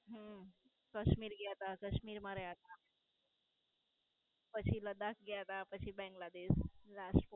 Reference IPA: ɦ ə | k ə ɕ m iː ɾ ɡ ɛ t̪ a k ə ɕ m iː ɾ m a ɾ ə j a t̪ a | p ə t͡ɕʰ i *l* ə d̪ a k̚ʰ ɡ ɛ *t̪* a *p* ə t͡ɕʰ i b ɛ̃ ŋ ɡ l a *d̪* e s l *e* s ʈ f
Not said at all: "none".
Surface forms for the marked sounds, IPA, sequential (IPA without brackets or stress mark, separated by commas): l, t̪, p, d̪, a